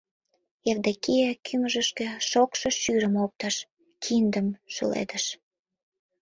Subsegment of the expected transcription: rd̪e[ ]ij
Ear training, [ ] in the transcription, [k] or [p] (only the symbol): k